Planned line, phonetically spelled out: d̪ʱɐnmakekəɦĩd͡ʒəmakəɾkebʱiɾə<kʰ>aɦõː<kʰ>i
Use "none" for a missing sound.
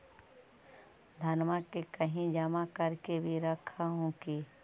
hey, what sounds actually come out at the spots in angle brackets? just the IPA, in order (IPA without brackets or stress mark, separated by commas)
kʰ, k